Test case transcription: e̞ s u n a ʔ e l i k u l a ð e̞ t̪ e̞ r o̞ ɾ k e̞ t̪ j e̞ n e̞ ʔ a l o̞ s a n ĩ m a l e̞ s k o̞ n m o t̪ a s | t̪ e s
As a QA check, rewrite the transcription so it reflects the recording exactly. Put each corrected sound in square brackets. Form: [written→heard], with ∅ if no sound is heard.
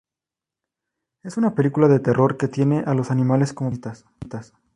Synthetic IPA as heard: e̞ s u n a [ʔ→p] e l i k u l a ð e̞ t̪ e̞ r o̞ ɾ k e̞ t̪ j e̞ n e̞ ʔ a l o̞ s a n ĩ m a l e̞ s k o̞ [n→∅] m o t̪ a s | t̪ [e→a] s